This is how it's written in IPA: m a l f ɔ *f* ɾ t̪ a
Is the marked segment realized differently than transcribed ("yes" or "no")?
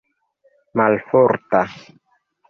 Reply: yes